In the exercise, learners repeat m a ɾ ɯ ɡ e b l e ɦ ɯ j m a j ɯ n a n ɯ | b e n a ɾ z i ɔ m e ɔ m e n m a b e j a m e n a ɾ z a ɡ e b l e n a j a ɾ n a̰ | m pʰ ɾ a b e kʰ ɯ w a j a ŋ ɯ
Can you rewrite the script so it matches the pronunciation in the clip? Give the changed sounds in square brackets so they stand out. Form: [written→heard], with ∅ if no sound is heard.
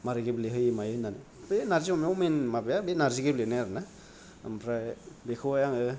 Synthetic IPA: m a ɾ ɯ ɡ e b l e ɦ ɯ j m a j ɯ n a n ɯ | b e n a ɾ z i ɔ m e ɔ m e n m a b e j a [m→b] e n a ɾ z [a→i] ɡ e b l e n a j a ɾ n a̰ | m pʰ ɾ a b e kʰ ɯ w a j a ŋ ɯ